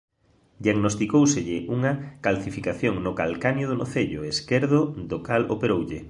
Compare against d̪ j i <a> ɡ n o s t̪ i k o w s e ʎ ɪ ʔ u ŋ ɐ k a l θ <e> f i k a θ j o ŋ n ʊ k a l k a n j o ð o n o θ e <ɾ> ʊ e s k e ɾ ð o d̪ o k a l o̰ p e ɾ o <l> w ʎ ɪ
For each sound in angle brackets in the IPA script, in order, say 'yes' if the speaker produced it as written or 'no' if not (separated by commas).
yes, no, no, no